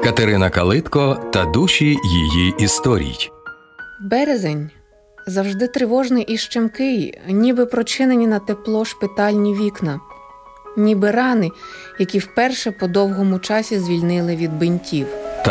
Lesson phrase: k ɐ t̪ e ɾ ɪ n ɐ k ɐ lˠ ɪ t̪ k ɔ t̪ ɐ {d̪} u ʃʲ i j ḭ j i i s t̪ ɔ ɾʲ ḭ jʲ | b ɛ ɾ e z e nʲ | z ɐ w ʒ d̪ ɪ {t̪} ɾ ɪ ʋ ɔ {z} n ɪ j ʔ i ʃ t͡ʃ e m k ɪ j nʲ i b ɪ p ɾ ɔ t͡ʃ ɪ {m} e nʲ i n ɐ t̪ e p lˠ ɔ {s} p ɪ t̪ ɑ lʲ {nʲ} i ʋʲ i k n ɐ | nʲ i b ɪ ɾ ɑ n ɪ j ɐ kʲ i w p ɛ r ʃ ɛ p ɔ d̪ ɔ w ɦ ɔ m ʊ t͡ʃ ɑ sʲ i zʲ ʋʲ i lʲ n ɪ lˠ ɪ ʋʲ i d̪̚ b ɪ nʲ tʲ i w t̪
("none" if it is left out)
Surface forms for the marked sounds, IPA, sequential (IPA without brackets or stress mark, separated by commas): d̪, t̪, ʒ, n, ʃ, nʲ